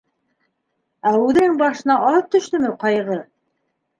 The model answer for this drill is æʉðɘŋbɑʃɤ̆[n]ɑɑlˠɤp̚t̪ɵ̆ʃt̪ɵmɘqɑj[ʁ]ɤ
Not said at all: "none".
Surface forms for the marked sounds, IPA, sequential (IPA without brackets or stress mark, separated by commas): n, ʁ